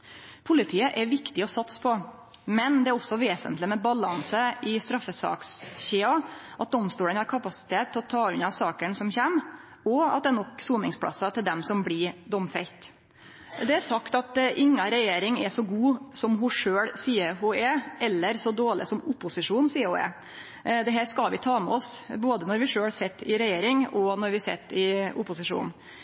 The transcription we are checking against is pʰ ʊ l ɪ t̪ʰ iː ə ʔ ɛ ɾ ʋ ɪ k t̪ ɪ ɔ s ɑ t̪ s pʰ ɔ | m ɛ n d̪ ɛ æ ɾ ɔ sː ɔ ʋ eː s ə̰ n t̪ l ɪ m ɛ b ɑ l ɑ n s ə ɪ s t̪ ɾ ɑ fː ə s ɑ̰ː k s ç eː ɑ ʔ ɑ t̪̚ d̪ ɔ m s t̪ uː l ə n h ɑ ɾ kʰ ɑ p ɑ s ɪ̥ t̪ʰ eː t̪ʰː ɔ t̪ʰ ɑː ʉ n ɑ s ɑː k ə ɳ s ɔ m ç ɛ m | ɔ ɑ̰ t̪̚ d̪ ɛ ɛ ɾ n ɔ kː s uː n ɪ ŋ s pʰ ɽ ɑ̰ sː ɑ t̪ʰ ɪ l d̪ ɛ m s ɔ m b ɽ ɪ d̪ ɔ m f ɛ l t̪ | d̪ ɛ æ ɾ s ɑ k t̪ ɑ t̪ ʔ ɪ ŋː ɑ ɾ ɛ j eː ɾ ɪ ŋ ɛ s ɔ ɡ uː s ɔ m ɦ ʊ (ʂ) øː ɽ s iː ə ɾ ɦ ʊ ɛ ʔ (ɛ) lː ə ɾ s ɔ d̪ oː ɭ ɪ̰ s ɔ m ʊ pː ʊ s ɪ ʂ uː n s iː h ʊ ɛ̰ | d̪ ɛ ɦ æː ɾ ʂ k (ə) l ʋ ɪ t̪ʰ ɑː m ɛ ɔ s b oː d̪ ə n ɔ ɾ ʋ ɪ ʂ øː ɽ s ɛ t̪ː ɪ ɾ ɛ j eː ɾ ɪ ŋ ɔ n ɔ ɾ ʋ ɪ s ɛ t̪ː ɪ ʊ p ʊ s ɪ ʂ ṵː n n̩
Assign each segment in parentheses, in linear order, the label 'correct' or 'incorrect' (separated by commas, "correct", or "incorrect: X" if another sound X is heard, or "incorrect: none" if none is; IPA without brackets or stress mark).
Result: correct, correct, incorrect: ɑ